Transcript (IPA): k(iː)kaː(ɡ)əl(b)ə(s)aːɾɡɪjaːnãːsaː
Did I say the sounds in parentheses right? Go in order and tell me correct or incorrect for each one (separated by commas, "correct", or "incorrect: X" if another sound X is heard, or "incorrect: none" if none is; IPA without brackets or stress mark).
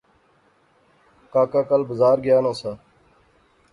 incorrect: aː, incorrect: k, correct, incorrect: z